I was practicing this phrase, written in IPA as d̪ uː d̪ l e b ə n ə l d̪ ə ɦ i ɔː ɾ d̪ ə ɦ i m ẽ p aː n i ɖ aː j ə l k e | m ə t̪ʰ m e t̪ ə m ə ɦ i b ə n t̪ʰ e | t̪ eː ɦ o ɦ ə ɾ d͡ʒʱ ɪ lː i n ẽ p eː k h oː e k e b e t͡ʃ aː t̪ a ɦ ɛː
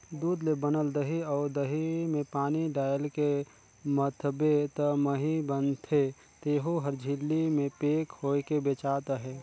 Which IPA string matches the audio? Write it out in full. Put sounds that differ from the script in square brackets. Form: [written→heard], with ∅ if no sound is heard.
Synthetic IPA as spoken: d̪ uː d̪ l e b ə n ə l d̪ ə ɦ i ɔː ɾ d̪ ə ɦ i m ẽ p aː n i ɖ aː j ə l k e | m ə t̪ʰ [m→b] e t̪ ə m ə ɦ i b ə n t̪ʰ e | t̪ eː ɦ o ɦ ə ɾ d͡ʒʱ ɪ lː i [n→m] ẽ p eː k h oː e k e b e t͡ʃ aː t̪ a ɦ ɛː